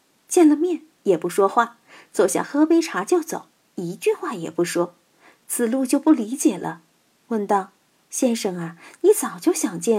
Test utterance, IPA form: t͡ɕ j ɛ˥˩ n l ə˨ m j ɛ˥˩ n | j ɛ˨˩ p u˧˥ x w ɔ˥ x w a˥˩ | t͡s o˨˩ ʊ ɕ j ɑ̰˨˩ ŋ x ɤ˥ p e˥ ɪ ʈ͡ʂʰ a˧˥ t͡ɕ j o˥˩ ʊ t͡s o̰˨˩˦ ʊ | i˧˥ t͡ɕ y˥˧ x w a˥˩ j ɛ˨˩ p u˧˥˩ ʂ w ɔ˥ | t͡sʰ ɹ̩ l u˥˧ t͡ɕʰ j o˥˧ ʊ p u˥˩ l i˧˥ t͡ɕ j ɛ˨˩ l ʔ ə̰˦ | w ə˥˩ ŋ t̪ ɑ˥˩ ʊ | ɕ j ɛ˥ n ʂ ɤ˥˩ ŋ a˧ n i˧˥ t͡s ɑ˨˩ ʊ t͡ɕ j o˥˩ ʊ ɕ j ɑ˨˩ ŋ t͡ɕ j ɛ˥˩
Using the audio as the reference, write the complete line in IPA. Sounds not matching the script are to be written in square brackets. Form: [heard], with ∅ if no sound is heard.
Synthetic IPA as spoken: t͡ɕ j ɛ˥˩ n l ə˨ m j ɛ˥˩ n | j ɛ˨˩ p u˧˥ [ʂ] w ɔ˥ x w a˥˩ | t͡s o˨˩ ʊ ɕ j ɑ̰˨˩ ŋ x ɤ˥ p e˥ ɪ ʈ͡ʂʰ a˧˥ t͡ɕ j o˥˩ ʊ t͡s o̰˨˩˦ ʊ | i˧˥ t͡ɕ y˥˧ x w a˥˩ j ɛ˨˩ p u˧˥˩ ʂ w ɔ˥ | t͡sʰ ɹ̩ l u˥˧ [t͡ɕ] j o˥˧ ʊ p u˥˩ l i˧˥ t͡ɕ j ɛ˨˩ l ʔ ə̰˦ | w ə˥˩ [n] t̪ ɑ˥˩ ʊ | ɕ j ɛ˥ n ʂ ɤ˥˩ ŋ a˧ n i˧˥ t͡s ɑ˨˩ ʊ t͡ɕ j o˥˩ ʊ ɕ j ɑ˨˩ ŋ t͡ɕ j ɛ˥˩